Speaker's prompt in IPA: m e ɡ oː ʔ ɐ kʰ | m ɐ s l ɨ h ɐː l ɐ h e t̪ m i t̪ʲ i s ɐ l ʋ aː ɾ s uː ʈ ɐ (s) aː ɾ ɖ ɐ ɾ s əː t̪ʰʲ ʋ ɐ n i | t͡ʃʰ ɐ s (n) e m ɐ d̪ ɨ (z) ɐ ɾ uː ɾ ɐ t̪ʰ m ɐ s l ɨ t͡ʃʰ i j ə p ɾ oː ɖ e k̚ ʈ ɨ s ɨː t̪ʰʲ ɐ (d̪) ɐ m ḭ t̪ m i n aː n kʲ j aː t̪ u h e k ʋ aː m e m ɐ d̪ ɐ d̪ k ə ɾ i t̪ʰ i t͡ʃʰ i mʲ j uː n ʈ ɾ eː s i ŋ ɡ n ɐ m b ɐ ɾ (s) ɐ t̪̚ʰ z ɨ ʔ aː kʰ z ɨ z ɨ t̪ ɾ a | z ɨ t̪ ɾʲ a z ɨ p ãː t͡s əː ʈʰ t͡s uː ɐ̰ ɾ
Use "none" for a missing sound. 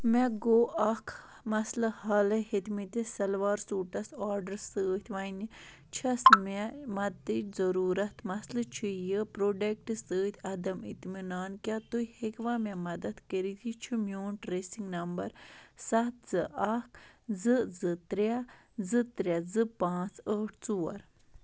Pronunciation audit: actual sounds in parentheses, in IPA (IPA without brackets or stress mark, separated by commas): s, m, z, d̪, s